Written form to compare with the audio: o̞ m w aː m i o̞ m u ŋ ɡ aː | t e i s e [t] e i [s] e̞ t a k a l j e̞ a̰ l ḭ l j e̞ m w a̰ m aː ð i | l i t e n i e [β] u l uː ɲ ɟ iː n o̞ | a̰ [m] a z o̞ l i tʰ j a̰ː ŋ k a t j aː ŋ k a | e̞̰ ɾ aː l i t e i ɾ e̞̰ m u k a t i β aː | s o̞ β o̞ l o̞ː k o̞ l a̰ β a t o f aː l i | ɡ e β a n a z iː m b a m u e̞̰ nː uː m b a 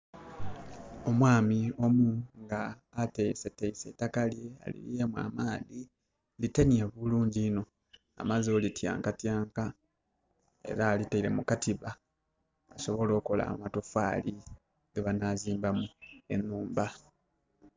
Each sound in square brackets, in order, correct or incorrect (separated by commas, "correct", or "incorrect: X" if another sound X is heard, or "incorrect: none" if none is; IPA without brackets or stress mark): correct, correct, correct, correct